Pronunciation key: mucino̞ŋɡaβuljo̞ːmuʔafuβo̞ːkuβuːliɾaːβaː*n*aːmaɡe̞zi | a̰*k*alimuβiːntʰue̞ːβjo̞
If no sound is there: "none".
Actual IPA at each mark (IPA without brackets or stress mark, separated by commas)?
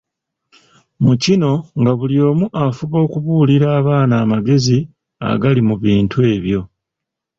n, ɡ